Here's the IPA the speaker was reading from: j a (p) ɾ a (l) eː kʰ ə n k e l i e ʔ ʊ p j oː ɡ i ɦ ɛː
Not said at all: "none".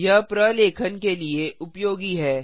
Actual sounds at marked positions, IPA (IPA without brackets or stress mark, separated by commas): p, l